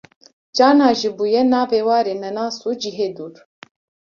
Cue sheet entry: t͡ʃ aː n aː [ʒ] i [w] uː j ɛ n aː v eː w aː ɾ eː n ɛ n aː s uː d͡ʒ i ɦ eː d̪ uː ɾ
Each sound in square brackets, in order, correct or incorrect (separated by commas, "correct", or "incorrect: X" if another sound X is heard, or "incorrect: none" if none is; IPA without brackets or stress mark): correct, incorrect: b